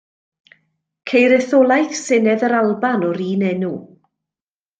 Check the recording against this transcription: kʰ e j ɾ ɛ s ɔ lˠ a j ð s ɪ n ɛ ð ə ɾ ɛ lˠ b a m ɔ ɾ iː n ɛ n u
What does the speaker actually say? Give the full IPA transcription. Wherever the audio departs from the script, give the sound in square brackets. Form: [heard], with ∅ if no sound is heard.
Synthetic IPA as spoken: kʰ e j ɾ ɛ [θ] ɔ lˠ a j [θ] s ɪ n ɛ ð ə ɾ [a] lˠ b a [n] ɔ ɾ iː n ɛ n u